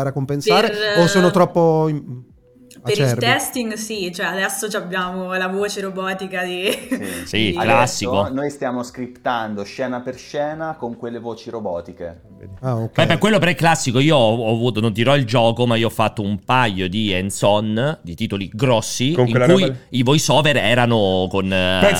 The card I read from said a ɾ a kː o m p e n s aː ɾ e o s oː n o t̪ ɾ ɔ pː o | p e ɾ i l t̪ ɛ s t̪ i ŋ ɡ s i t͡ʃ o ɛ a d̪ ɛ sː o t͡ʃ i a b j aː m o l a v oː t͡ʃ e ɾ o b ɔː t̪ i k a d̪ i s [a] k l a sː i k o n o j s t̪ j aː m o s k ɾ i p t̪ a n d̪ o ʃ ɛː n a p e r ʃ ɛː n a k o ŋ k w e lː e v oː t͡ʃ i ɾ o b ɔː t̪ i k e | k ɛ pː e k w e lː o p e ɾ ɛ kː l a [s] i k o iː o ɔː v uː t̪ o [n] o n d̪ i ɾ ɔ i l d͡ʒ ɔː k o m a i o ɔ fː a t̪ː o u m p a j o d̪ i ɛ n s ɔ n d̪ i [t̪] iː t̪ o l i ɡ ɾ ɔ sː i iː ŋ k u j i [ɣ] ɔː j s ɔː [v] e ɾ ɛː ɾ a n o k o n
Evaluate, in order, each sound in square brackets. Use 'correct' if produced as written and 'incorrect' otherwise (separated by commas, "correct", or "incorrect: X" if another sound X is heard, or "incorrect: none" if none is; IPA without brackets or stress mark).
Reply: incorrect: i, incorrect: sː, correct, correct, incorrect: v, correct